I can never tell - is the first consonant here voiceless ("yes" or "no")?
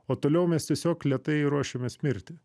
yes